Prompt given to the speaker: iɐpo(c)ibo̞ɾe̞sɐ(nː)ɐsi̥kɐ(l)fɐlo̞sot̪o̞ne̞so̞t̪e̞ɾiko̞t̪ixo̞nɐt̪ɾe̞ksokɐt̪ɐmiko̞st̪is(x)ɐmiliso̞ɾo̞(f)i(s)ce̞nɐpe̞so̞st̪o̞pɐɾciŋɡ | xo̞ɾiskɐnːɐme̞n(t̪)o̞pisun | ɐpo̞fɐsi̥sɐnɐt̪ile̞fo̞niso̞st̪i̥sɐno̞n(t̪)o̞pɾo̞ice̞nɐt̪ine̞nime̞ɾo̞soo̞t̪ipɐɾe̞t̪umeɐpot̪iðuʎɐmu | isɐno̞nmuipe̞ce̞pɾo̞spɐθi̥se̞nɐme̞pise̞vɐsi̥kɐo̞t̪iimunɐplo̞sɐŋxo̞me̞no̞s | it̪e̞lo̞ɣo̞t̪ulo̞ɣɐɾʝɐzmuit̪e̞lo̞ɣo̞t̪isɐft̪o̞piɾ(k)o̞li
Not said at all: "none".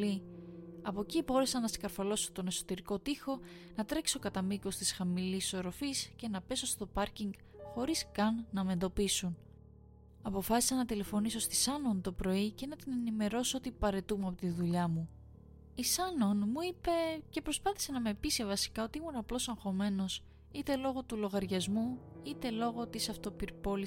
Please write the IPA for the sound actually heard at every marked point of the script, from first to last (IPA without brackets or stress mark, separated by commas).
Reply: c, n, ɾ, x, f, s, d̪, t̪, p